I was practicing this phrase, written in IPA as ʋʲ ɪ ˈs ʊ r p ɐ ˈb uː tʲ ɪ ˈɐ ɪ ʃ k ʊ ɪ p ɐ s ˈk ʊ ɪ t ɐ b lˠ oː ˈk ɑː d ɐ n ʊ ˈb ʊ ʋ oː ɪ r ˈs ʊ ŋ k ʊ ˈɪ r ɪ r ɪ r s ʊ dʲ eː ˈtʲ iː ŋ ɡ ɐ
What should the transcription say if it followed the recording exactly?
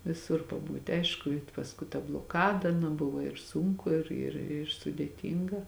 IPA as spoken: ʋʲ ɪ ˈs ʊ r p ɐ ˈb uː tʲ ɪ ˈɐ ɪ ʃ k ʊ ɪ p ɐ s ˈk ʊ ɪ t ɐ b lˠ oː ˈk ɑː d ɐ n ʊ ˈb ʊ ʋ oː ɪ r ˈs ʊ ŋ k ʊ ˈɪ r ɪ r ɪ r s ʊ dʲ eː ˈtʲ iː ŋ ɡ ɐ